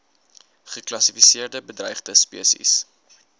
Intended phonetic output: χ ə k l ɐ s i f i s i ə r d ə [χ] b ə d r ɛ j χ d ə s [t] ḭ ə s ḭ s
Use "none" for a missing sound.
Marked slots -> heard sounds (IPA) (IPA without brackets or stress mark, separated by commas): none, p